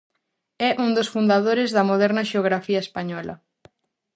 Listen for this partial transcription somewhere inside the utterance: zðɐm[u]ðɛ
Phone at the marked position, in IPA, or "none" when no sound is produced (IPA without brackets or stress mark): o